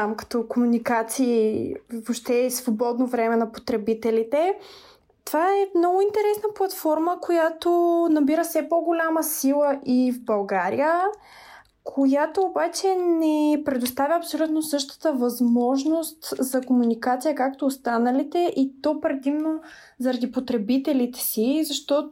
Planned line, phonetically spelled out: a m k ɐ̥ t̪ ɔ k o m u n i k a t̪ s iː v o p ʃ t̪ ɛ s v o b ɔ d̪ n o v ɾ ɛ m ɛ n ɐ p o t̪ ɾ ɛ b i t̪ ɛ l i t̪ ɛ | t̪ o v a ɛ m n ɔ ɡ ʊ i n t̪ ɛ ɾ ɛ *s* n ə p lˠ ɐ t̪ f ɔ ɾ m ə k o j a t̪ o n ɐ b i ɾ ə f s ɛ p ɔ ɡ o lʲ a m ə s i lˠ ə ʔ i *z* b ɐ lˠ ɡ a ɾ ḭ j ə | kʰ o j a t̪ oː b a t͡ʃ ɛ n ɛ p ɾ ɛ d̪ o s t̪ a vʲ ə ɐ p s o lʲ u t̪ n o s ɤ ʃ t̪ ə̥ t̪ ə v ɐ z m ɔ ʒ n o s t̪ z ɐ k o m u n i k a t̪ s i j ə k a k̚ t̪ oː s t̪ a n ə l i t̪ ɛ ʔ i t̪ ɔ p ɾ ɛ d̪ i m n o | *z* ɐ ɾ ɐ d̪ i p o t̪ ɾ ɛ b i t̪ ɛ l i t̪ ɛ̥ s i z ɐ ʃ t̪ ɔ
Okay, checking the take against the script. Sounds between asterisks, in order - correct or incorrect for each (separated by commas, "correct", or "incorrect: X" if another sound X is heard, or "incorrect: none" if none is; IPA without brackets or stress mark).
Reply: correct, incorrect: v, correct